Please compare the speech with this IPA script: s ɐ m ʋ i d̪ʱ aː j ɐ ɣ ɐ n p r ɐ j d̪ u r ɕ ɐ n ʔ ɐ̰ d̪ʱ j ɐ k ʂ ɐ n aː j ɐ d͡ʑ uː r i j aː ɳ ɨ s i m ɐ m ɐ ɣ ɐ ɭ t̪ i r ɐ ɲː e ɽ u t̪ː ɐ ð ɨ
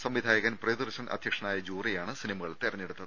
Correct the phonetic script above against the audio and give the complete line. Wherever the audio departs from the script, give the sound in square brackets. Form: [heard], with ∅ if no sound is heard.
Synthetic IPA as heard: s ɐ m ʋ i d̪ʱ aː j ɐ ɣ ɐ n p r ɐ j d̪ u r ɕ ɐ n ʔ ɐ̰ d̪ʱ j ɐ k ʂ ɐ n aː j ɐ d͡ʑ uː r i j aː ɳ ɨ s i [n] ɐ m ɐ ɣ ɐ ɭ t̪ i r ɐ ɲː e ɽ u t̪ː ɐ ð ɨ